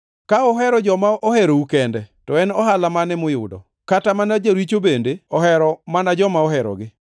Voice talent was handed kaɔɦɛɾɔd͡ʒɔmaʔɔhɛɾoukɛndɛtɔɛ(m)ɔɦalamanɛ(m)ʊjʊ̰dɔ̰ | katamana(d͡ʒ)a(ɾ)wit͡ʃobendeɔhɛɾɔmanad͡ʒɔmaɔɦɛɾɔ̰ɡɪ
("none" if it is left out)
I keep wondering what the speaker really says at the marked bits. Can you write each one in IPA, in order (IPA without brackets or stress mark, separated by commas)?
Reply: n, m, d͡ʒ, ɾ